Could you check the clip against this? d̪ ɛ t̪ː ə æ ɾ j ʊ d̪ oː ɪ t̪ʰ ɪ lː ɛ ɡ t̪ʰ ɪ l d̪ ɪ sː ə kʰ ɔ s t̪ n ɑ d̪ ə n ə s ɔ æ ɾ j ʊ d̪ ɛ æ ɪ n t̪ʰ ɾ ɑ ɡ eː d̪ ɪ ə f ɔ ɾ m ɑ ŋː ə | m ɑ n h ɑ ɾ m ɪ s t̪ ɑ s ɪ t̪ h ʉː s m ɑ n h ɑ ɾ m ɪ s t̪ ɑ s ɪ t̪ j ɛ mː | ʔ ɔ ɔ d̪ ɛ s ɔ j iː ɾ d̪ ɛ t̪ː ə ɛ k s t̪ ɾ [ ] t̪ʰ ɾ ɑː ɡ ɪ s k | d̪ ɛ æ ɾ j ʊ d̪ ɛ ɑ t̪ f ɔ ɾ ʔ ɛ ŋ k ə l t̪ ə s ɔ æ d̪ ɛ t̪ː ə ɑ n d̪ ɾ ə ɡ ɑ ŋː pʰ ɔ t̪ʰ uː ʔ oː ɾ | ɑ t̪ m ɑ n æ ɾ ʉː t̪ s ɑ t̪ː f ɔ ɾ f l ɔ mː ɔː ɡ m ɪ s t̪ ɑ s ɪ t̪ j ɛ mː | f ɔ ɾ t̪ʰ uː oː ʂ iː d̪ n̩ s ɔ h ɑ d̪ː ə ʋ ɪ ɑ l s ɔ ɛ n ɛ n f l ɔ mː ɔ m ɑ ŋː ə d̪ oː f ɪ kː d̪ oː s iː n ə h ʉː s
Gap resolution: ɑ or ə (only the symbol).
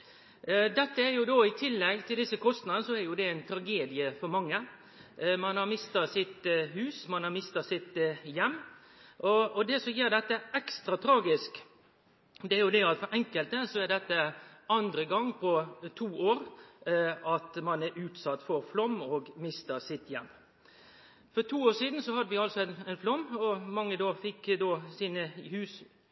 ɑ